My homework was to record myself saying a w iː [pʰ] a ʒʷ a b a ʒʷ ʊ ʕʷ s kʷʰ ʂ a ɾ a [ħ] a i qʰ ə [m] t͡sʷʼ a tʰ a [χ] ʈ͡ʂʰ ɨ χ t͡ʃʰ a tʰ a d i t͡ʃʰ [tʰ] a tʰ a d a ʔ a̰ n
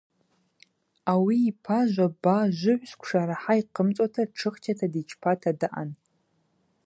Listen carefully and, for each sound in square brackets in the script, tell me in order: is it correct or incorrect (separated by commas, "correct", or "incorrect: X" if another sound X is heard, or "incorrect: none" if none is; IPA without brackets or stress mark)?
correct, correct, correct, incorrect: none, incorrect: pʰ